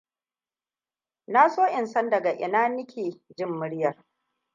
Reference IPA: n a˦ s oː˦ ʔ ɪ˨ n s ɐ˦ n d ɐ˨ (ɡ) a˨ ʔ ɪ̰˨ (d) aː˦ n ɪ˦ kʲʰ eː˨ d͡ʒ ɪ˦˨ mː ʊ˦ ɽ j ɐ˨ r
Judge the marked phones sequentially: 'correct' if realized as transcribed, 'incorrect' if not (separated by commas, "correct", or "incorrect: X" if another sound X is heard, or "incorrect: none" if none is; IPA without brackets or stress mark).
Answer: correct, incorrect: n